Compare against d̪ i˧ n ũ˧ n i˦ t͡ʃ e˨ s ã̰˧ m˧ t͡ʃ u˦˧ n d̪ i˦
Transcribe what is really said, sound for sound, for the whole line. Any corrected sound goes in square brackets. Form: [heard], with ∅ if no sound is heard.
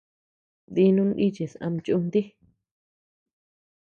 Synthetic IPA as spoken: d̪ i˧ n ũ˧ n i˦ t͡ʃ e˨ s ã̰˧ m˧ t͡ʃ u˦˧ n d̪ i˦